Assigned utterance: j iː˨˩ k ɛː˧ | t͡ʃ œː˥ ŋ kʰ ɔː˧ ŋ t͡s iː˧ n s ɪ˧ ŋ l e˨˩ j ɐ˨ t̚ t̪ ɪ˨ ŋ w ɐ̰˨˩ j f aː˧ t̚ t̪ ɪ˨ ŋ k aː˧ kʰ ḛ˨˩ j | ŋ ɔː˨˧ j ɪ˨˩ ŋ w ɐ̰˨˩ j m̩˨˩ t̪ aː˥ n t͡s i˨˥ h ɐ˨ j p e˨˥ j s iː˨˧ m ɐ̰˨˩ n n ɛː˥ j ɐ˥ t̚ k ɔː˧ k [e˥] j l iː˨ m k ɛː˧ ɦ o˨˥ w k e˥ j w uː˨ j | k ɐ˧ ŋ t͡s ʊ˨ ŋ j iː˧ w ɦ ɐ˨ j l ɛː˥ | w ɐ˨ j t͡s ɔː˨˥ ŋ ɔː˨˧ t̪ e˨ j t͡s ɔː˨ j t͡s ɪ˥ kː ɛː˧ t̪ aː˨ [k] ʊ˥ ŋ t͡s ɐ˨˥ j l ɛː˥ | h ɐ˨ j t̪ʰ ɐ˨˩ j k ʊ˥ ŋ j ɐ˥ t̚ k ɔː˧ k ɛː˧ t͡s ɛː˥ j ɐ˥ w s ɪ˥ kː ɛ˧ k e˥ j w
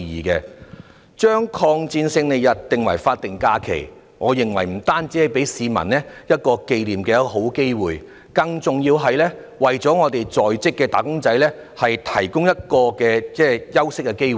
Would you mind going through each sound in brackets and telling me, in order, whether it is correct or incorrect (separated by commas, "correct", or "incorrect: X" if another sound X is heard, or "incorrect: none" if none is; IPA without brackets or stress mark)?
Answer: incorrect: e˧, correct